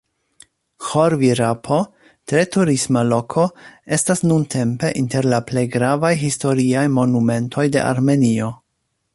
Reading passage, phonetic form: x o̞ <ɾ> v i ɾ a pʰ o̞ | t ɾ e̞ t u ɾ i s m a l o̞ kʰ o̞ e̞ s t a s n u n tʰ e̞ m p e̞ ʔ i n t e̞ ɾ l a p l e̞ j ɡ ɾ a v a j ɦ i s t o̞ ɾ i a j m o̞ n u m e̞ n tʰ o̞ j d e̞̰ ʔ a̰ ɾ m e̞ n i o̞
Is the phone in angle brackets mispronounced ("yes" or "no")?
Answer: no